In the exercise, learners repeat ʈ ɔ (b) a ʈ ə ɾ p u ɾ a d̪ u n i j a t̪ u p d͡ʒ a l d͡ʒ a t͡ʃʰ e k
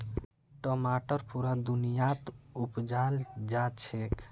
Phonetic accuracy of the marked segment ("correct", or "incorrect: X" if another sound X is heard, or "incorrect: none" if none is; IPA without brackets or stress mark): incorrect: m